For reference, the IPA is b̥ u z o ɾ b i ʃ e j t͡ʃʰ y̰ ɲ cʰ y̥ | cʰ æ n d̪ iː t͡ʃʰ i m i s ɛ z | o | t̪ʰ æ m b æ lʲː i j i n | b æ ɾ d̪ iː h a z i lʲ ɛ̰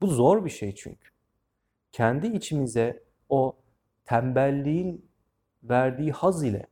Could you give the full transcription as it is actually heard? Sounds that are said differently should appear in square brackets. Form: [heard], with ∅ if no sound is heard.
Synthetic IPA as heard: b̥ u z o ɾ b i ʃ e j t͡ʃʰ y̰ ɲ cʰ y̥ | cʰ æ n d̪ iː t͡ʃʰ i m i [z] ɛ [∅] | o | t̪ʰ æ m b æ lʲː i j i n | [v] æ ɾ d̪ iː h a z i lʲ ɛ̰